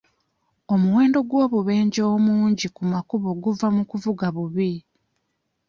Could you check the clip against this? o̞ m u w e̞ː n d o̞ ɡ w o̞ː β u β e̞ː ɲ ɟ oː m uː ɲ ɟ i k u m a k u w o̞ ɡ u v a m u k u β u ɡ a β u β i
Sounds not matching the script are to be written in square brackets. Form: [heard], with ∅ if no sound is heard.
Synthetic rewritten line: o̞ m u w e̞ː n d o̞ ɡ w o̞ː β u β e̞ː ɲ ɟ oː m uː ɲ ɟ i k u m a k u [β] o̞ ɡ u v a m u k u [v] u ɡ a β u β i